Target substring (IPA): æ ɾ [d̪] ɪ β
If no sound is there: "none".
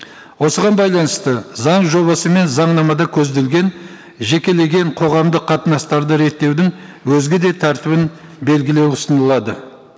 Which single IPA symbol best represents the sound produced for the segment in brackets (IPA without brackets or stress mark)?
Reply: t̪